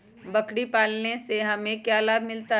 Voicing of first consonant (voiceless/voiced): voiced